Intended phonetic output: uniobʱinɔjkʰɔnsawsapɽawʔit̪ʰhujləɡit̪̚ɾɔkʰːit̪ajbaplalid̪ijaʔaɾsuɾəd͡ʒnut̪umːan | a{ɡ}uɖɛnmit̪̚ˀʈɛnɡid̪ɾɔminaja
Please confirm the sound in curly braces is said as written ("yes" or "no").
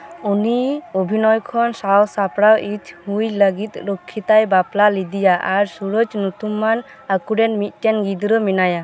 no